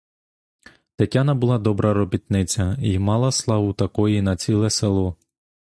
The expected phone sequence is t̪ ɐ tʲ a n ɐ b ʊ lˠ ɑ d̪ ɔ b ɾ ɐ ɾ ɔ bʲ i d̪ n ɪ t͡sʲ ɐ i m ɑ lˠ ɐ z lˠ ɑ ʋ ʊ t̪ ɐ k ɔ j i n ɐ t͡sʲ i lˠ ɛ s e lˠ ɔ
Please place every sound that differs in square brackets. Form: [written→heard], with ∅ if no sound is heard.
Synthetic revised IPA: t̪ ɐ tʲ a n ɐ b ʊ lˠ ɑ d̪ ɔ b ɾ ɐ ɾ ɔ bʲ i [d̪→t̪] n ɪ t͡sʲ ɐ i m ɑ lˠ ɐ [z→s] lˠ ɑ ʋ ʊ t̪ ɐ k ɔ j i n ɐ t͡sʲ i lˠ ɛ s e lˠ ɔ